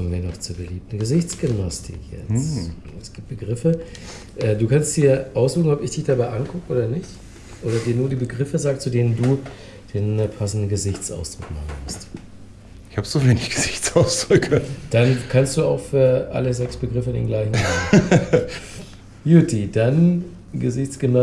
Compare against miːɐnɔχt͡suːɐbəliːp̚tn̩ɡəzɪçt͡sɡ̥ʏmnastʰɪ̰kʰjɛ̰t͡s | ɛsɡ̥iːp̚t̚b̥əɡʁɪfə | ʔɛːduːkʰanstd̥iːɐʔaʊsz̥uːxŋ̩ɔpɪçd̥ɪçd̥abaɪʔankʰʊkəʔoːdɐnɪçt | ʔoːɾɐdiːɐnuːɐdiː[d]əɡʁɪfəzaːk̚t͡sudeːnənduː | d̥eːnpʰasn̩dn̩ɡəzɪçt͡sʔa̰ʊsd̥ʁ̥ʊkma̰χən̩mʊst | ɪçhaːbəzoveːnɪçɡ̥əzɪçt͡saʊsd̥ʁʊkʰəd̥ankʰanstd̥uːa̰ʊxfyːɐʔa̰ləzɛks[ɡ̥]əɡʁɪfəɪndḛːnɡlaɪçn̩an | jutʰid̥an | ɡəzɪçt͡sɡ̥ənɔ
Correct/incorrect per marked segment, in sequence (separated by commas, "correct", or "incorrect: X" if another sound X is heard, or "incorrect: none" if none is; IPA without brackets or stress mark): incorrect: b, incorrect: b̥